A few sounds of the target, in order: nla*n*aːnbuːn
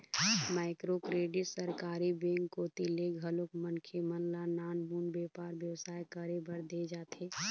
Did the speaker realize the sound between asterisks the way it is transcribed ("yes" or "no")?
yes